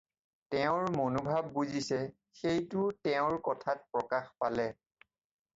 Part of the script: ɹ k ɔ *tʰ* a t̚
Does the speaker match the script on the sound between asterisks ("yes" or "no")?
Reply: yes